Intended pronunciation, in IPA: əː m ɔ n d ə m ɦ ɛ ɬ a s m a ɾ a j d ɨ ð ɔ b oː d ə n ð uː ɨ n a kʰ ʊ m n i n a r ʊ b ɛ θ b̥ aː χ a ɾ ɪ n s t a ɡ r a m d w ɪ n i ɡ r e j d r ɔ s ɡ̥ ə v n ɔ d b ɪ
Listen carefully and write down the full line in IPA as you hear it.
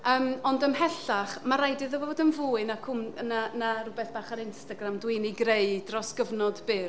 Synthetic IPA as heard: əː m ɔ n d ə m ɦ ɛ ɬ a χ m a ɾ a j d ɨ ð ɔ v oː d ə n v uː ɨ n a kʰ ʊ m n a n a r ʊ b ɛ θ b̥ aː χ a ɾ ɪ n s t a ɡ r a m d w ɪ n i ɡ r e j d r ɔ s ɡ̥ ə v n ɔ d b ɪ